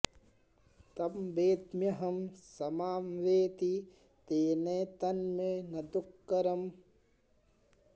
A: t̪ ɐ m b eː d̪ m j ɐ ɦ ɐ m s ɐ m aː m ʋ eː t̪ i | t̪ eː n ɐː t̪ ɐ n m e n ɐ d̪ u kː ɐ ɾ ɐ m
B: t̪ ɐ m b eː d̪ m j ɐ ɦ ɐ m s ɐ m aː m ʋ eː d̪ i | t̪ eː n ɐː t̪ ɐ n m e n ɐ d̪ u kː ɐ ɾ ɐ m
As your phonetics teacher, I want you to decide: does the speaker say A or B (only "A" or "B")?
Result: A